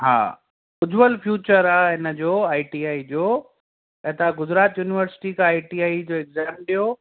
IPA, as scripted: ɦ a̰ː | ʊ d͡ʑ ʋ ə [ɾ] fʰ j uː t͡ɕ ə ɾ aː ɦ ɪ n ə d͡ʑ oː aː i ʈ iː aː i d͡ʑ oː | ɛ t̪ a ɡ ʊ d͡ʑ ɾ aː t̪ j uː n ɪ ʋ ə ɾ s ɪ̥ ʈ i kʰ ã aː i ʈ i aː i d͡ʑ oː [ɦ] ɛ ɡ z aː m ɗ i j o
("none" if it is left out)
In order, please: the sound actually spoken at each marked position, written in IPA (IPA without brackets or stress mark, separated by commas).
l, none